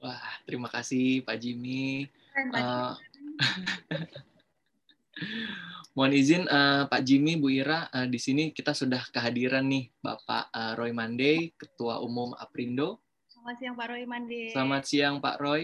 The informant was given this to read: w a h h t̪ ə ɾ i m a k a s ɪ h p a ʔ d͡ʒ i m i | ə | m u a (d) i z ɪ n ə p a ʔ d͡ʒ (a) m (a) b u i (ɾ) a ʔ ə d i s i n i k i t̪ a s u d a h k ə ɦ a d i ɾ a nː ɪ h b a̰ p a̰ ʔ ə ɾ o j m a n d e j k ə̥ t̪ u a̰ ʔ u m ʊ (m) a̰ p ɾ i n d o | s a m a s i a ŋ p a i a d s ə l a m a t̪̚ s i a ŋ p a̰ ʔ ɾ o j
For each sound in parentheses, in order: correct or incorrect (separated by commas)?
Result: incorrect, incorrect, incorrect, correct, correct